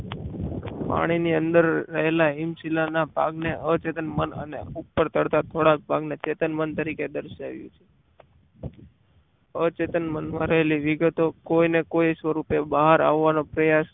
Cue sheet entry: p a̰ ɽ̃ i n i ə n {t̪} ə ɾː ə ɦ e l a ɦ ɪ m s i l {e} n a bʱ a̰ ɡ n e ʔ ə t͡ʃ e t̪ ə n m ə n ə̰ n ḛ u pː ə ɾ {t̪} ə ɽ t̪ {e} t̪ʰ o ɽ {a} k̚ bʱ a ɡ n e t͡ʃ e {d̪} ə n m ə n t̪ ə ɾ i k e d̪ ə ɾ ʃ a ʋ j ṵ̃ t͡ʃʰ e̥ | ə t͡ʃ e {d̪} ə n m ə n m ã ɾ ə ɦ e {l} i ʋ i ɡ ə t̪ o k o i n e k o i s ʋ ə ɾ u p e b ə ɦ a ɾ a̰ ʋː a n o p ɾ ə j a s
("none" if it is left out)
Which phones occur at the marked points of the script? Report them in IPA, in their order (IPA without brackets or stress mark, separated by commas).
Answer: d̪, a, t̪, a, a, t̪, t̪, l